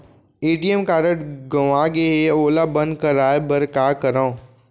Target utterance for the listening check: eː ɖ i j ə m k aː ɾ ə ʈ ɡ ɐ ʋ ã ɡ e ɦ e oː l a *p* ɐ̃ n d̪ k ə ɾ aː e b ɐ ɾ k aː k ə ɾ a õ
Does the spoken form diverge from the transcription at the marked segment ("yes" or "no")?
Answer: yes